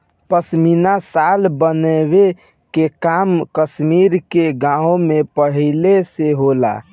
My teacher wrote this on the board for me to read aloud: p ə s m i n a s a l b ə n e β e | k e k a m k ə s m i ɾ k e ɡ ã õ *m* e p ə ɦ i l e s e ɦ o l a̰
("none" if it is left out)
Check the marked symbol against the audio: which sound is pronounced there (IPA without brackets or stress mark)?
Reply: m